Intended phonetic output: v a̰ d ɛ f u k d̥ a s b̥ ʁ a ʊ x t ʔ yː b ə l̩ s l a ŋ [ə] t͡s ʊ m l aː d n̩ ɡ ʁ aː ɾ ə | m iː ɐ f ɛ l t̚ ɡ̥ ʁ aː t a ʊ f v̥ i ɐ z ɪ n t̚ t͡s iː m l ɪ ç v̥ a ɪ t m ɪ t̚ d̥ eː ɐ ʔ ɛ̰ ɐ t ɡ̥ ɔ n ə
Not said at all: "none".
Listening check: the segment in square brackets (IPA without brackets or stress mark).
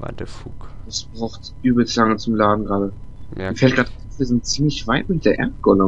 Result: ə